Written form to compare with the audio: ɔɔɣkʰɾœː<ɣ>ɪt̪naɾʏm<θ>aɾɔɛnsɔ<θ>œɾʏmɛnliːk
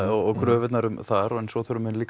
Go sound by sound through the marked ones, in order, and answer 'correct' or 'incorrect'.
incorrect, correct, correct

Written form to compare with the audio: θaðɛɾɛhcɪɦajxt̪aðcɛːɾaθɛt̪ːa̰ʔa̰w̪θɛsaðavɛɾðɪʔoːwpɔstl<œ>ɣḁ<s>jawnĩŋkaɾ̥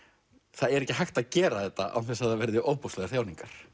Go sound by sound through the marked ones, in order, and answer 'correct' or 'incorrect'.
incorrect, incorrect

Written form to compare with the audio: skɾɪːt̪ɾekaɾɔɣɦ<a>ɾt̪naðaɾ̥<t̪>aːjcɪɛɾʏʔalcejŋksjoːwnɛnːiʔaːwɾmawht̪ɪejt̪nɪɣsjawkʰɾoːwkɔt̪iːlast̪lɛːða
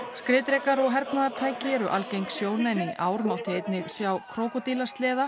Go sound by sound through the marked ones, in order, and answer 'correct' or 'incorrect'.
incorrect, incorrect

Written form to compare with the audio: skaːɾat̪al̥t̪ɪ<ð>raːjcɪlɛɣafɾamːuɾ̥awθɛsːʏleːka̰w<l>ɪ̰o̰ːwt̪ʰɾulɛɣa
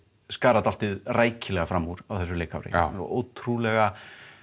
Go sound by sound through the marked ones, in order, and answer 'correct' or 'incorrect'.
correct, incorrect

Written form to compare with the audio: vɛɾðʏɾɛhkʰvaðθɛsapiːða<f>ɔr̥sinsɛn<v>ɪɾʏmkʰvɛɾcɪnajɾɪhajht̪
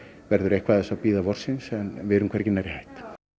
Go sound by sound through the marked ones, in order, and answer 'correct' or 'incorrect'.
incorrect, correct

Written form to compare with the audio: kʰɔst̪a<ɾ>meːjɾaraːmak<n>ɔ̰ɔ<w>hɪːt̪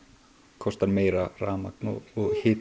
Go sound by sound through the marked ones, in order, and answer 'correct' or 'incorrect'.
correct, correct, incorrect

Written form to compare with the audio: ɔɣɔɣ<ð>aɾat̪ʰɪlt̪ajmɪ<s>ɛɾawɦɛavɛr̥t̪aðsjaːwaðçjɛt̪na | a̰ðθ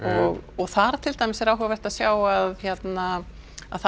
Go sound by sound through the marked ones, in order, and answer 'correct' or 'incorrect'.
incorrect, correct

